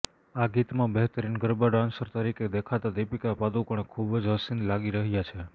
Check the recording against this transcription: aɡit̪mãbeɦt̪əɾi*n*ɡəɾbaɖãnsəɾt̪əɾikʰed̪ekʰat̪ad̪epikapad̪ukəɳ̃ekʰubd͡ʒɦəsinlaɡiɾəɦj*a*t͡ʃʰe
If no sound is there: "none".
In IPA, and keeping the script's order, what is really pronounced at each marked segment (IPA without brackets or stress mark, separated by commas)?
n, a